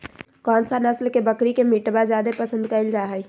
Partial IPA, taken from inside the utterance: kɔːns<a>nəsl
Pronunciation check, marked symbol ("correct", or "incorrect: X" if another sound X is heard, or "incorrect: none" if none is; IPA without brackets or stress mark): correct